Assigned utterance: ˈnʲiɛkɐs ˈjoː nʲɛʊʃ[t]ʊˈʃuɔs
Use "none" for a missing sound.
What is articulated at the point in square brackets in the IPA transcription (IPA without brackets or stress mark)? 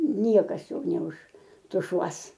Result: t